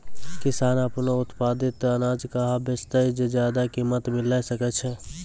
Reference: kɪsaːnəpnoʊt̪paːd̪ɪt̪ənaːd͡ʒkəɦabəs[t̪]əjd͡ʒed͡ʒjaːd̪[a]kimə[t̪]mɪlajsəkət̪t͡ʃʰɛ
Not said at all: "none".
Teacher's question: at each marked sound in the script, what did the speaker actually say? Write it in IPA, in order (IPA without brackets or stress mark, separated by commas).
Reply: t̪, a, t̪